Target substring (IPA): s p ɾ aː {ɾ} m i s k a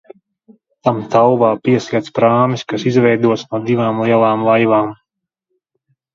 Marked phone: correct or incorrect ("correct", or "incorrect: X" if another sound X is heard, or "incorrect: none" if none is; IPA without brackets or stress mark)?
incorrect: none